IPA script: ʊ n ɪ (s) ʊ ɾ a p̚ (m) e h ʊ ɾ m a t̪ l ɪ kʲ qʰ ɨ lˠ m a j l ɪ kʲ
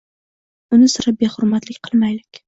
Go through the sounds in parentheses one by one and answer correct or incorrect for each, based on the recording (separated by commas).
correct, incorrect